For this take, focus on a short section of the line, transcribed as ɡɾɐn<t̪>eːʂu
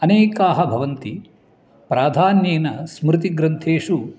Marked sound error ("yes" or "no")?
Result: yes